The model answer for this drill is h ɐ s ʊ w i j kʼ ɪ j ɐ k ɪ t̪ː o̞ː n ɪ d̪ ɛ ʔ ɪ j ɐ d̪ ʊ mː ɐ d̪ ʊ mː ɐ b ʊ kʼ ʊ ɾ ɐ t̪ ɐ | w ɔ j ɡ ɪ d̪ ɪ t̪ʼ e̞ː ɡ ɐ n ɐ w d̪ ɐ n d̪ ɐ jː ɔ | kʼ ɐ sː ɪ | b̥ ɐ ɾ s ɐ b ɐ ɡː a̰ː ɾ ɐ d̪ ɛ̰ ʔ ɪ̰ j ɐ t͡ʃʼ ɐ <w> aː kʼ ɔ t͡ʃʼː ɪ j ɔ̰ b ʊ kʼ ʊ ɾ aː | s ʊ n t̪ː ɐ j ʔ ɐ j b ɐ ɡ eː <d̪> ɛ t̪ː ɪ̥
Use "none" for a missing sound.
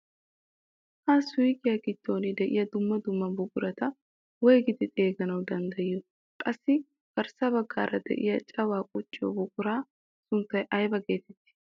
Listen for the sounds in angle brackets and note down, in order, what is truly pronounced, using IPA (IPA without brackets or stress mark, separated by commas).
w, t̪